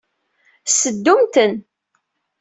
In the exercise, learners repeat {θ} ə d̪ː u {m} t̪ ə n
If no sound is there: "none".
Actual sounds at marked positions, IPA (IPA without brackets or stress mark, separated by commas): s, m